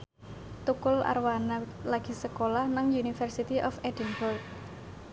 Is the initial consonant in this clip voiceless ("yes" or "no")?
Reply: yes